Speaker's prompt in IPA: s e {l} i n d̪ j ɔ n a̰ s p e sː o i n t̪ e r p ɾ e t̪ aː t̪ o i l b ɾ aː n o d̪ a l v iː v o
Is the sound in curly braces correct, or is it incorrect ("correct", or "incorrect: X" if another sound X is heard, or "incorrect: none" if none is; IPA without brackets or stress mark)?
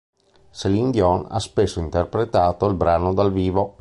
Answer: correct